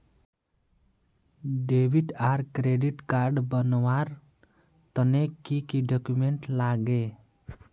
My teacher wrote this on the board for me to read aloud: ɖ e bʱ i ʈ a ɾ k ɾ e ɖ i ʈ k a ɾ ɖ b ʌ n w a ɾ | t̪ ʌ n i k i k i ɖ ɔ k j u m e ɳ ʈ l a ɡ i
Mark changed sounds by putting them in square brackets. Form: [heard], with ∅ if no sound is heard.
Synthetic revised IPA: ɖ e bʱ i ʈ a ɾ k ɾ e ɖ i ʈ k a ɾ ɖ b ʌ n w a ɾ | t̪ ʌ n [e] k i k i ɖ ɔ k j u m e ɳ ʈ l a ɡ [e]

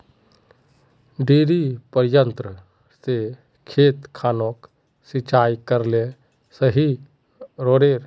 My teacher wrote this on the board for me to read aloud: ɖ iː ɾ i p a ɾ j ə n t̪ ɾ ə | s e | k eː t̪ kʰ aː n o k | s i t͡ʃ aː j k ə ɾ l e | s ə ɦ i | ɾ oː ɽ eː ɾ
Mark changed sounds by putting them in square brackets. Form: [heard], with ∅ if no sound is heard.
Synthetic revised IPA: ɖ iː ɾ i p [ə] ɾ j ə n t̪ ɾ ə | s e | [kʰ] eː t̪ kʰ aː n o k | s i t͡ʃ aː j k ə ɾ l e | s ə ɦ i | ɾ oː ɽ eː ɾ

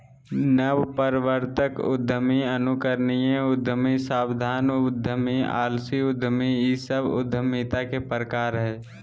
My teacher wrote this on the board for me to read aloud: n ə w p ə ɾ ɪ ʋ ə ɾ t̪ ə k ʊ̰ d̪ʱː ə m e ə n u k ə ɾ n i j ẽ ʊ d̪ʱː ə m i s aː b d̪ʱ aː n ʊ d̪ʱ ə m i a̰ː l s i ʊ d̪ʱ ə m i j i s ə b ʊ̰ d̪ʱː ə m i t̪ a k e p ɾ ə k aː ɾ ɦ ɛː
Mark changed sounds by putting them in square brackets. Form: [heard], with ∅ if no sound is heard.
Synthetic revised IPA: n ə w p ə ɾ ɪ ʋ ə ɾ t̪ ə k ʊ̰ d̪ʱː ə m [i] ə n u k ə ɾ n i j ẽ ʊ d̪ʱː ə m i s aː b d̪ʱ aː n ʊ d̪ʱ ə m i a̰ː l s i ʊ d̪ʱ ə m i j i s ə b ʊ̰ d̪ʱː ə m i t̪ a k e p ɾ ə k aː ɾ ɦ ɛː

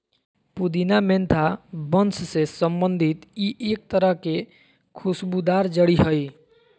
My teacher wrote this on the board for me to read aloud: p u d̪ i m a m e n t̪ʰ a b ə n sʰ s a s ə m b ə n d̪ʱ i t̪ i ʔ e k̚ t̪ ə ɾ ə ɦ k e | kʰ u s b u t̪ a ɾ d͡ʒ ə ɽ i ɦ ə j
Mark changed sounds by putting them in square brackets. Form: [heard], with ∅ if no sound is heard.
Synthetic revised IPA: p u d̪ i [n] a m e n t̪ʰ a b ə n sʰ s [e] s ə m b ə n d̪ʱ i t̪ i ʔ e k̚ t̪ ə ɾ ə ɦ k e | kʰ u s b u [d̪] a ɾ d͡ʒ ə ɽ i ɦ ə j

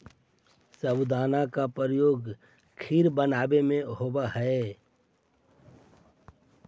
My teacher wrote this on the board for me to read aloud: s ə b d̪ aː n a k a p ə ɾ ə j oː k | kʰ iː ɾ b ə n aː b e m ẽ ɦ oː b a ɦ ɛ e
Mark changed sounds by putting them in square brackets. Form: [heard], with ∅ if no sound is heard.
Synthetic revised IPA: s ə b d̪ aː n a k a p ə ɾ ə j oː [ɡ] | kʰ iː ɾ b ə n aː b e m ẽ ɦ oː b a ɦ ɛ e

